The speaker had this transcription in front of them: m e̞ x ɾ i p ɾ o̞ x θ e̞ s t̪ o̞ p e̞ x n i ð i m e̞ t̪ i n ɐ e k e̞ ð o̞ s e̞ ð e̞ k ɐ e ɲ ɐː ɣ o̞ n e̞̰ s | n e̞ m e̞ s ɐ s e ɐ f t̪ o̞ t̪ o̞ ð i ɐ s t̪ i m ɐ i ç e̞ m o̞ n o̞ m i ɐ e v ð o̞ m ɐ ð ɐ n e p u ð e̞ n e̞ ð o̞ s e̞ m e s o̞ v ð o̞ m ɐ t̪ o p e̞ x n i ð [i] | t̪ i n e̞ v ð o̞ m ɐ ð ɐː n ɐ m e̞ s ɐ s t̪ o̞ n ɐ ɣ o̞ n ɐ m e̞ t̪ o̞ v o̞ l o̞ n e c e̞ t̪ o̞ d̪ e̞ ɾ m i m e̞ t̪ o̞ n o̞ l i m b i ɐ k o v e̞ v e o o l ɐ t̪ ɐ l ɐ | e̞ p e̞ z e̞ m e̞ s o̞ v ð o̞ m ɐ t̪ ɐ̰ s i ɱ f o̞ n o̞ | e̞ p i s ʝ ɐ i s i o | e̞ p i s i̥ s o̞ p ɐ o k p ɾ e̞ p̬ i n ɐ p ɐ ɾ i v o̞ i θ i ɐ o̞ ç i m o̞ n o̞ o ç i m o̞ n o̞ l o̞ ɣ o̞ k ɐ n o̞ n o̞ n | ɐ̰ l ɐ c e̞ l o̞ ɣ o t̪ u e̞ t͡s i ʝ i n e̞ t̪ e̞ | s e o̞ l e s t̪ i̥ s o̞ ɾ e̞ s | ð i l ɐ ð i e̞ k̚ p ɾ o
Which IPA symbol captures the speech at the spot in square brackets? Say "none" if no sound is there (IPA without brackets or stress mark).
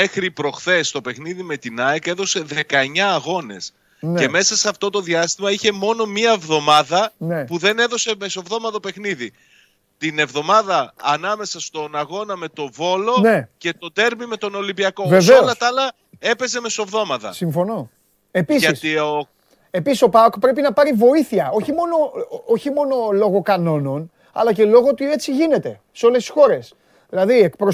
i